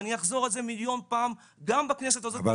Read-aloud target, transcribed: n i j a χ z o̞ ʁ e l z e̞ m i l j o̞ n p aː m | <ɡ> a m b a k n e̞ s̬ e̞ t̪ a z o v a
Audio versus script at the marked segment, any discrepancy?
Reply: no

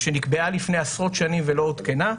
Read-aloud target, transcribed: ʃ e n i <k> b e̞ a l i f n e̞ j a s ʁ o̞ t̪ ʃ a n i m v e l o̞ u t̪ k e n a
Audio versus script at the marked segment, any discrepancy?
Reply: no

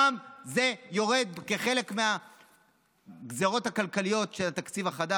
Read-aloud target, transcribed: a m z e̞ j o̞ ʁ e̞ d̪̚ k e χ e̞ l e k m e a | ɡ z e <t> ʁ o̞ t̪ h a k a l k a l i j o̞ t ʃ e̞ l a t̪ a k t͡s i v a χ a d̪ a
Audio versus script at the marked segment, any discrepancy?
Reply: yes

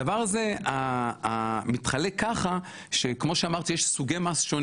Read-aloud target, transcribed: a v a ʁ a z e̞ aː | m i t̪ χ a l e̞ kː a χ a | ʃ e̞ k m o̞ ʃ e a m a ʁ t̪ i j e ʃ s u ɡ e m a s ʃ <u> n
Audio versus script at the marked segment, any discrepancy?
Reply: yes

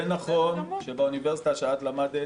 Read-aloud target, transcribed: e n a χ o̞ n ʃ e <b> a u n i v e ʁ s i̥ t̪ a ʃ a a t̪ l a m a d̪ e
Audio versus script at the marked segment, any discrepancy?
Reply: no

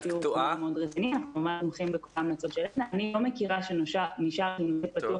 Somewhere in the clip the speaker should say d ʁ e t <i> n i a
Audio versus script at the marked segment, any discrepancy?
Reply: no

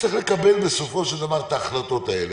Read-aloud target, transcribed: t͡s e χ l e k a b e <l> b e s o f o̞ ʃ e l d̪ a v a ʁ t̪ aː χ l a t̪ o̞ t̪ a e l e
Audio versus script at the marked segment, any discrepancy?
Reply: no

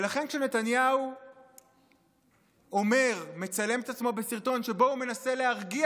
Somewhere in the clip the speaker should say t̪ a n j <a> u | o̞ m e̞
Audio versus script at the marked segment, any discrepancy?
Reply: no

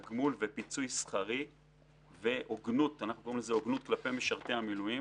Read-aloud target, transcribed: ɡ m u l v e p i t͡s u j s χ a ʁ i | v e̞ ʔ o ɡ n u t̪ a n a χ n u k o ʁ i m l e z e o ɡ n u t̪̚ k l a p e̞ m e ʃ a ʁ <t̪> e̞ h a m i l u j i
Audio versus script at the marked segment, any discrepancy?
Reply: no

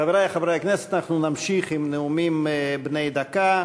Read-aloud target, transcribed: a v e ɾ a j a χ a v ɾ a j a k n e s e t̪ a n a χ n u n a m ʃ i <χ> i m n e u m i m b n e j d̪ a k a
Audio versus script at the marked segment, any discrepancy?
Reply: no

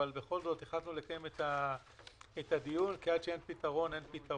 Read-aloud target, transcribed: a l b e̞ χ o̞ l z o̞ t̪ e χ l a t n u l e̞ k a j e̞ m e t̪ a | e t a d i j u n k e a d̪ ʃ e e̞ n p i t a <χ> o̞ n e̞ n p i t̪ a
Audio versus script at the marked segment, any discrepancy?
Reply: yes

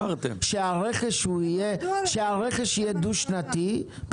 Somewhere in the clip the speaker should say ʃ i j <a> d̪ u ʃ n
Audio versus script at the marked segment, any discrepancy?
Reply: yes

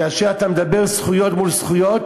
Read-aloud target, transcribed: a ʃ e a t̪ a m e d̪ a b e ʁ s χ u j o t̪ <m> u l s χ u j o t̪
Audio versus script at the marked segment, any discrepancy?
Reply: no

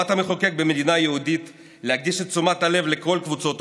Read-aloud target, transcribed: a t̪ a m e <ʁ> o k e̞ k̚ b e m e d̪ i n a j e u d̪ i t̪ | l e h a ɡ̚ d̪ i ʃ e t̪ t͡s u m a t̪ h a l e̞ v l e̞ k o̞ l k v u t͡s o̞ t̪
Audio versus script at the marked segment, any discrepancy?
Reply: yes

